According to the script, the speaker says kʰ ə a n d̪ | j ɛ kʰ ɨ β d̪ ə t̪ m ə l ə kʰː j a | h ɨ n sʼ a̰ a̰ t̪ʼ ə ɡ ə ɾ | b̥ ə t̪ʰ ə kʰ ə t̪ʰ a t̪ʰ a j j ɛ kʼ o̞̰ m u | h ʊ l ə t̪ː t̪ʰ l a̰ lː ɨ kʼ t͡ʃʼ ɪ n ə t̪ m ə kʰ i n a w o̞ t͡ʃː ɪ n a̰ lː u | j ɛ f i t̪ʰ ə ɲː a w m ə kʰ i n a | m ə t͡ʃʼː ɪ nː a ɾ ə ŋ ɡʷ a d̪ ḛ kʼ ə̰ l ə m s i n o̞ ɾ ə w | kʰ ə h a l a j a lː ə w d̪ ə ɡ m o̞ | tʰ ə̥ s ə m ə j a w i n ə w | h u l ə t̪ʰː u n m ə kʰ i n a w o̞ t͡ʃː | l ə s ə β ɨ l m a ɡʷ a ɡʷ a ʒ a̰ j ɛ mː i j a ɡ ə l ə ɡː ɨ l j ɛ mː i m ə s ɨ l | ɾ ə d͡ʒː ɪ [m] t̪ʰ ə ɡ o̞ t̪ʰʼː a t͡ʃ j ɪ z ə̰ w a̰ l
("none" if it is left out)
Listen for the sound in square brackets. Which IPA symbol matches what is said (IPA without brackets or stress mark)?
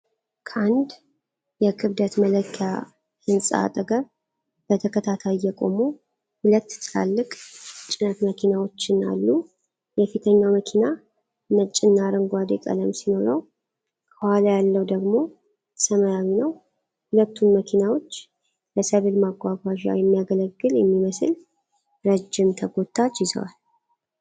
m